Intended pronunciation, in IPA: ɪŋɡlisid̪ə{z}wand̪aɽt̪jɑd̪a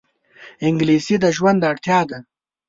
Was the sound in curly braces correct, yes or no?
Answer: no